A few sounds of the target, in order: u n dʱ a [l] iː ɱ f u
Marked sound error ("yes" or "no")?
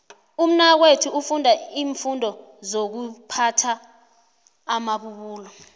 yes